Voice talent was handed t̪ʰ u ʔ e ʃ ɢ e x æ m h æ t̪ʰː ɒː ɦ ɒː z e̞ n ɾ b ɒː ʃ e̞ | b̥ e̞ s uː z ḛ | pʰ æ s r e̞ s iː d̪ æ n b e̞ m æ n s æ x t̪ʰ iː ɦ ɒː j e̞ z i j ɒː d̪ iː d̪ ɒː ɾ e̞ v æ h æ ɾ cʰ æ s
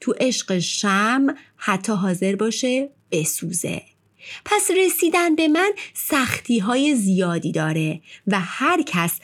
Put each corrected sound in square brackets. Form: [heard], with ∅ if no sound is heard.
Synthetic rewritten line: t̪ʰ u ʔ e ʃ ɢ e [ʃ] æ m h æ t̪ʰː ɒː ɦ ɒː z e̞ [∅] ɾ b ɒː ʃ e̞ | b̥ e̞ s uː z ḛ | pʰ æ s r e̞ s iː d̪ æ n b e̞ m æ n s æ x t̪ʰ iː ɦ ɒː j e̞ z i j ɒː d̪ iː d̪ ɒː ɾ e̞ v æ h æ ɾ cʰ æ s